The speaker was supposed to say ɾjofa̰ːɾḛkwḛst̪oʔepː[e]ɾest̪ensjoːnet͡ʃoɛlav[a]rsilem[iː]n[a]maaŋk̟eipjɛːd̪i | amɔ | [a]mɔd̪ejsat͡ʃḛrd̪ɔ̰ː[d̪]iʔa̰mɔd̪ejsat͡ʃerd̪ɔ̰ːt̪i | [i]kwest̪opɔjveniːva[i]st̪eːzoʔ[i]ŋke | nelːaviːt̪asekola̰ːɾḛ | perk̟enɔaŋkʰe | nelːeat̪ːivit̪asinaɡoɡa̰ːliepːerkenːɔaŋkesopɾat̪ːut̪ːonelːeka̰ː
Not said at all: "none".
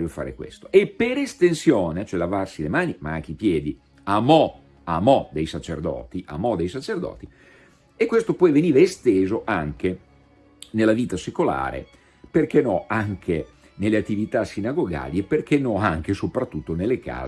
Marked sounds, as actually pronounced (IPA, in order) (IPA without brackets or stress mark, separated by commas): e, a, aː, i, a, t̪, e, e, a